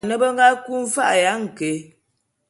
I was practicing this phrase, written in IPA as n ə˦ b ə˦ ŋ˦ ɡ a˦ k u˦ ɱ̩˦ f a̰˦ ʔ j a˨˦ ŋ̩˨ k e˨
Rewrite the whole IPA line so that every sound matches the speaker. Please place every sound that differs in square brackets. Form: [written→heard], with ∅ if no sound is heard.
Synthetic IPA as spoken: n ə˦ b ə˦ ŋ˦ ɡ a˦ k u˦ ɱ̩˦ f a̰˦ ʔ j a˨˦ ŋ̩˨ k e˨